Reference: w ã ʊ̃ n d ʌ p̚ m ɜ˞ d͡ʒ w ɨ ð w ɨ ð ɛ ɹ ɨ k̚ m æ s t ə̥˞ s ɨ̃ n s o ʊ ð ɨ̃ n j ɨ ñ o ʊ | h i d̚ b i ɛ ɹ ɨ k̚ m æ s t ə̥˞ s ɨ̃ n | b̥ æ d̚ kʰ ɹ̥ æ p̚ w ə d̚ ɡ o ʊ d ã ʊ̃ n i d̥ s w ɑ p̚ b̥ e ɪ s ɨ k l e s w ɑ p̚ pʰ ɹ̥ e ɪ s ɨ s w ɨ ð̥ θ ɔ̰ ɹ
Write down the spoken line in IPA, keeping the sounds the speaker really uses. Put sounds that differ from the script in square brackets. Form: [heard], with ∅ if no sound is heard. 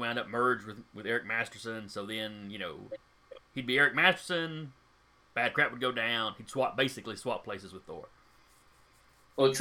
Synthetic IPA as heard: w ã ʊ̃ n d ʌ p̚ m ɜ˞ d͡ʒ w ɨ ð w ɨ ð ɛ ɹ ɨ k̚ m æ s t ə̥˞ s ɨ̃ n s o ʊ ð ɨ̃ n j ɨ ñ o ʊ | h i d̚ b i ɛ ɹ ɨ k̚ m æ s t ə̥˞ s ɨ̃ n | b̥ æ d̚ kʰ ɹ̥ æ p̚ w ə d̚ ɡ o ʊ d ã ʊ̃ n i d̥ s w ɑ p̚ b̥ e ɪ s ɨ k l [i] s w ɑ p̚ pʰ [l̥] e ɪ s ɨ [z] w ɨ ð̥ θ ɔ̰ ɹ